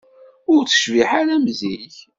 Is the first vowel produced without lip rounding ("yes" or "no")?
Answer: no